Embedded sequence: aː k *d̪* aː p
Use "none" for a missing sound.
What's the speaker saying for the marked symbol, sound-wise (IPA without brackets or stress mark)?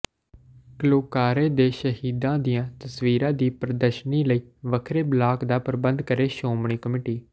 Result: d̪